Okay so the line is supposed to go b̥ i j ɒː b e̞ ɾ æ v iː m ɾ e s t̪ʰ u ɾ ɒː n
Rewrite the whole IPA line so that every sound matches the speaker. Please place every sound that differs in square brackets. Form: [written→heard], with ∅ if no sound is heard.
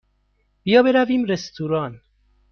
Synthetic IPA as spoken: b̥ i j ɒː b e̞ ɾ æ v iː m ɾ e s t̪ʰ u ɾ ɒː n